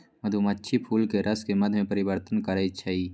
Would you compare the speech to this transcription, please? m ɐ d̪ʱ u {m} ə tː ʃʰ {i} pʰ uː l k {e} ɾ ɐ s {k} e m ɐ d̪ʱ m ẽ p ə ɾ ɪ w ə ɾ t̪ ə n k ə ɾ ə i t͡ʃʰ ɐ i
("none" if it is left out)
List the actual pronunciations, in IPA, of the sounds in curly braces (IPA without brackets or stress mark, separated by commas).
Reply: m, i, e, k